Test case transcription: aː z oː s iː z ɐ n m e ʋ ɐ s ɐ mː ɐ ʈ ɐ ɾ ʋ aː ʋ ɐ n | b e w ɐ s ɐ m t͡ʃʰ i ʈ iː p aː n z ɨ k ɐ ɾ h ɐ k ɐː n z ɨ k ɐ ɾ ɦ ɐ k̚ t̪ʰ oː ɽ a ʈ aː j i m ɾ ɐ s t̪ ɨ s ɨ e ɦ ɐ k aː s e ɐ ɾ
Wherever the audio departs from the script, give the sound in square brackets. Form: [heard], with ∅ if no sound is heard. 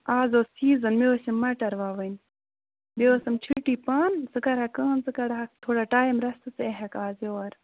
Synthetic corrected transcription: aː z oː s iː z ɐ n m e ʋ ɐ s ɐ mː ɐ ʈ ɐ ɾ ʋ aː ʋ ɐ n | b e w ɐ s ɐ m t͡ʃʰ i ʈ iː p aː n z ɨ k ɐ ɾ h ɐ k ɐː n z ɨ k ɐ ɾ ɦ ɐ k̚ t̪ʰ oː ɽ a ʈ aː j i m ɾ ɐ s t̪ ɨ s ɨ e ɦ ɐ k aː [z] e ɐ ɾ